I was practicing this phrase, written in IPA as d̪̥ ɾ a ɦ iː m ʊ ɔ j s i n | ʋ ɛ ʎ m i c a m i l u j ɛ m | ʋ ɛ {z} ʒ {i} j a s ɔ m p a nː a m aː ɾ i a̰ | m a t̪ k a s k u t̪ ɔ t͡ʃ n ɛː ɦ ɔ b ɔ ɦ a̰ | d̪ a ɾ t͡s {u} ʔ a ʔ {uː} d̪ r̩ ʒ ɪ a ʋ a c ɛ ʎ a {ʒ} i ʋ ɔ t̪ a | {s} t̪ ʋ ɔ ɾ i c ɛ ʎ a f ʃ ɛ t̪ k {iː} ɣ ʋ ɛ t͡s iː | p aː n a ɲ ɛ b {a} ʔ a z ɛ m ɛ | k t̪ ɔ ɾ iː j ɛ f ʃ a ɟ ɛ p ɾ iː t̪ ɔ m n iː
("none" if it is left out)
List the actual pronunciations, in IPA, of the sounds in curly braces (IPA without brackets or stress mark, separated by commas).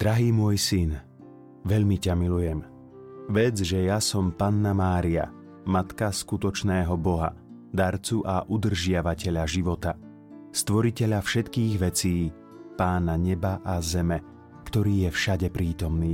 d͡z, ɛ, u, u, ʒ, s, iː, a